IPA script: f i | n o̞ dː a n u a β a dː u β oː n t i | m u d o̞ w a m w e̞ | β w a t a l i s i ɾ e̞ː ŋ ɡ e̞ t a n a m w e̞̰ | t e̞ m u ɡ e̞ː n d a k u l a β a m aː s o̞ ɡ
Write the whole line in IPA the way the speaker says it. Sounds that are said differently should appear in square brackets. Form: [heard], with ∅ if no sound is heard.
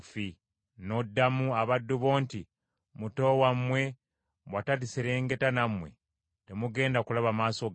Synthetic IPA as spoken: f i | n o̞ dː a [m] u a β a dː u β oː n t i | m u [t] o̞ w a m w e̞ | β w a t a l i s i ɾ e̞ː ŋ ɡ e̞ t a n a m w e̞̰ | t e̞ m u ɡ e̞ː n d a k u l a β a m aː s o̞ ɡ